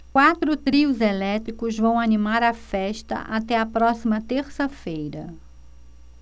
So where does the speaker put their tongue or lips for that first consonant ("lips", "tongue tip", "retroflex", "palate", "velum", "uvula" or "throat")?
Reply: velum